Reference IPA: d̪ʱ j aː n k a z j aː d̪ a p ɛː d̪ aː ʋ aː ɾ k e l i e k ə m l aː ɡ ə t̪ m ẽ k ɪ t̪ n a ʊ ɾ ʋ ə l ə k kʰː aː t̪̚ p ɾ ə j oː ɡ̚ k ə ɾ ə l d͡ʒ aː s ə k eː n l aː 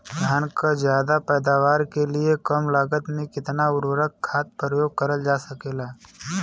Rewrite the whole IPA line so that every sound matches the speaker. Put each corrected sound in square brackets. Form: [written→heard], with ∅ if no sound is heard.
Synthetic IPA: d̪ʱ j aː n k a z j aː d̪ a p ɛː d̪ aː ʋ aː ɾ k e l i e k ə m l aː ɡ ə t̪ m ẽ k ɪ t̪ n a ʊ ɾ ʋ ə [l→ɾ] ə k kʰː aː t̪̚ p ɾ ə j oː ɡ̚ k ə ɾ ə l d͡ʒ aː s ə k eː [n→∅] l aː